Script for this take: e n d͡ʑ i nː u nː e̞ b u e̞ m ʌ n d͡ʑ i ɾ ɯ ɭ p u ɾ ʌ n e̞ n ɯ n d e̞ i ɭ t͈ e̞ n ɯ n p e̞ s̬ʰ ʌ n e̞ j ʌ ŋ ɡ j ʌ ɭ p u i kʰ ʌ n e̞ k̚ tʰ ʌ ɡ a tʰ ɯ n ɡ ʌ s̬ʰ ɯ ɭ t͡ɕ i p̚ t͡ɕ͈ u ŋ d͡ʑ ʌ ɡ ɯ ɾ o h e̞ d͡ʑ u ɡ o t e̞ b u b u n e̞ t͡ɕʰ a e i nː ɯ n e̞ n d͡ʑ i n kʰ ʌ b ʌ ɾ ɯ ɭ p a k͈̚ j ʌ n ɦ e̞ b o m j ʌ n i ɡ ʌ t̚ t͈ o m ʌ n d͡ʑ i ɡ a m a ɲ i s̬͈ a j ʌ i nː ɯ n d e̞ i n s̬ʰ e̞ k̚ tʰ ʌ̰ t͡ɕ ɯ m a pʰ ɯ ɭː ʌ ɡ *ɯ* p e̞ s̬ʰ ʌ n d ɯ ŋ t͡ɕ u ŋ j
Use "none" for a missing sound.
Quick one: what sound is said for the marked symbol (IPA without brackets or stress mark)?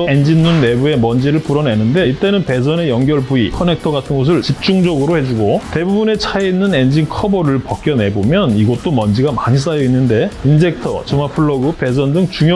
ɯ